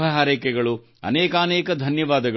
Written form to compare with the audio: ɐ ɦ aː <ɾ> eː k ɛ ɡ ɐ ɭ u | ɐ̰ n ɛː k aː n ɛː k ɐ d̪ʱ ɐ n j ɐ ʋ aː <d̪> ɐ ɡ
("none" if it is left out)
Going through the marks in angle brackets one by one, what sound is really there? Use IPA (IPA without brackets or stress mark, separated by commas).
ɾ, d̪